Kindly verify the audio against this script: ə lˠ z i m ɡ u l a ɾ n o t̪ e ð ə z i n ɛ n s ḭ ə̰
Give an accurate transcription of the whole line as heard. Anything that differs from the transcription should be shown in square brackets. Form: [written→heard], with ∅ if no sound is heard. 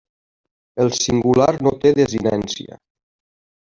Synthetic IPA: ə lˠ [z→s] i [m→ŋ] ɡ u l a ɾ n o t̪ e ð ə z i n ɛ n s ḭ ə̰